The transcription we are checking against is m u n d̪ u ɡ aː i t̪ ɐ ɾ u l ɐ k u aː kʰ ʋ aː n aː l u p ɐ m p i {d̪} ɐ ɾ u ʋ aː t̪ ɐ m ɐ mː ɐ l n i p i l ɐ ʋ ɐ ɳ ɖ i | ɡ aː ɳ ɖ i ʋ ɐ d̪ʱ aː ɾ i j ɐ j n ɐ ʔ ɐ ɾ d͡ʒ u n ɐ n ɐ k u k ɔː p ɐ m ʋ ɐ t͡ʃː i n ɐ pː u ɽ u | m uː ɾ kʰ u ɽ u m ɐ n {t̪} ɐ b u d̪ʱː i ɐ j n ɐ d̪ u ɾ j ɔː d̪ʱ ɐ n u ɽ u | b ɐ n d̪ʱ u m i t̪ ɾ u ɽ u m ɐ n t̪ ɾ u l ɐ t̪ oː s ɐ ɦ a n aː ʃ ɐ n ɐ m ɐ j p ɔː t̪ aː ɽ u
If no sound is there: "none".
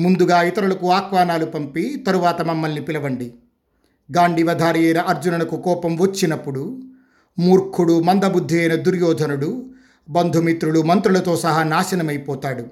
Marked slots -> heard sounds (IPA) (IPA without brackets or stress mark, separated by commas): t̪, d̪